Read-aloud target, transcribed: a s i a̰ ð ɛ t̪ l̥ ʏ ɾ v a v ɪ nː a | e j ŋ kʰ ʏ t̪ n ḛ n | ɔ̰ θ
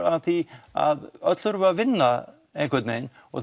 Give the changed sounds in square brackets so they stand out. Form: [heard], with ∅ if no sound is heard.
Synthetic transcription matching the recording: a [θ] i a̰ ð [œ] t̪ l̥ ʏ ɾ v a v ɪ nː a | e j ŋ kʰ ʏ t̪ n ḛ n | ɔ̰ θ